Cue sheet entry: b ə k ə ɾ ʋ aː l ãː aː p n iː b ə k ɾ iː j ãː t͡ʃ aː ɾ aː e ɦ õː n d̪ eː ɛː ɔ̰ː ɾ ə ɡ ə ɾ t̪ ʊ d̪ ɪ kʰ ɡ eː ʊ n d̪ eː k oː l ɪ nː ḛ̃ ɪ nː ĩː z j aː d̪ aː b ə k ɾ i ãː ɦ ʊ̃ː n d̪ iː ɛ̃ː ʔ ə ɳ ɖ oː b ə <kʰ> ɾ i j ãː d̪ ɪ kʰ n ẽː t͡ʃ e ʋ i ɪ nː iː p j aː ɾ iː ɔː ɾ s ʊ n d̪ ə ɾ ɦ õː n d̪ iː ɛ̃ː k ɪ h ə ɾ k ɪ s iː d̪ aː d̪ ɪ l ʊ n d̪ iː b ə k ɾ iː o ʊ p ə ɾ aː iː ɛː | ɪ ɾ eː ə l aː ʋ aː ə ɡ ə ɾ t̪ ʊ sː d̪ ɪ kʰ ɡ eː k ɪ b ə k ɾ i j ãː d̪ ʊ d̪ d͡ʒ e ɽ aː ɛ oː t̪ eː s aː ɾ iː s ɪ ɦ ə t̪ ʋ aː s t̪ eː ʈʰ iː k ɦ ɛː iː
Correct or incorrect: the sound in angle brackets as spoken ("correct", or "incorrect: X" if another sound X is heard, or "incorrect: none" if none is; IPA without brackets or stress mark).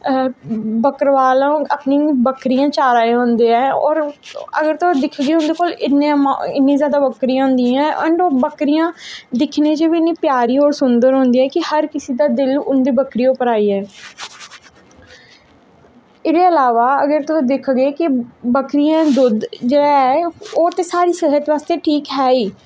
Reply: incorrect: k